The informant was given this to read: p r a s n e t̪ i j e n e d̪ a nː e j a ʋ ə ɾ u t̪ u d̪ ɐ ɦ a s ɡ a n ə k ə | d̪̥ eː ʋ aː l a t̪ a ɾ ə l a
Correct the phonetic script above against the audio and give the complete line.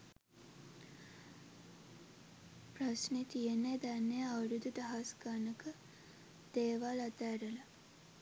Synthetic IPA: p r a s n e t̪ i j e n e d̪ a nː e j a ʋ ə ɾ u d̪ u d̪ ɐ ɦ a s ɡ a n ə k ə | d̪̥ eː ʋ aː l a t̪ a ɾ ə l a